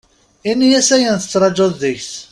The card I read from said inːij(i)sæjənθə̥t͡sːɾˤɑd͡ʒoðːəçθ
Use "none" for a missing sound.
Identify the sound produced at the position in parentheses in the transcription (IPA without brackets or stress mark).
æ